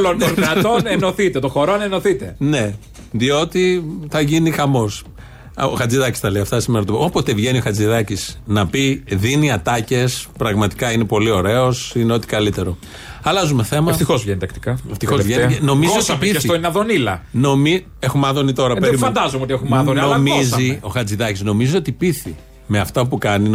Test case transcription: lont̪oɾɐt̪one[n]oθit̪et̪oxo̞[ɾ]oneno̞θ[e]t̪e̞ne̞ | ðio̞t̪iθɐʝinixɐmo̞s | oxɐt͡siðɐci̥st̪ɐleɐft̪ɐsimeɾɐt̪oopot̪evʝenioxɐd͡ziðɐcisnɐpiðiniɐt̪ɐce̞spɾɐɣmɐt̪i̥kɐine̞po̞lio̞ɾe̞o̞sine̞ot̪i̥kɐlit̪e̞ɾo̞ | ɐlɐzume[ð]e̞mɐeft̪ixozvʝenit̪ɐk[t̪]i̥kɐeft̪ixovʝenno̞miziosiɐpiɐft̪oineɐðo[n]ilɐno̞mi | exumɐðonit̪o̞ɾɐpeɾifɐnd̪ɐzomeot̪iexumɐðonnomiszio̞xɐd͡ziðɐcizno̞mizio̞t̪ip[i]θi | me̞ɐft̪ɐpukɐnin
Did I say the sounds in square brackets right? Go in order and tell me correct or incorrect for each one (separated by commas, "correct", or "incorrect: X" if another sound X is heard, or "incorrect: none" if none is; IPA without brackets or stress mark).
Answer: correct, correct, incorrect: i, incorrect: θ, correct, correct, correct